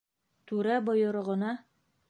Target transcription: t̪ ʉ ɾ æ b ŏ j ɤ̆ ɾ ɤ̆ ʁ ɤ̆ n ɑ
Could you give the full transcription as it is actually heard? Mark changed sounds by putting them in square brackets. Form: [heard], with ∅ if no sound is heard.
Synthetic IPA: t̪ ʉ ɾ æ b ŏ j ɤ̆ ɾ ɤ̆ ʁ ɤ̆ n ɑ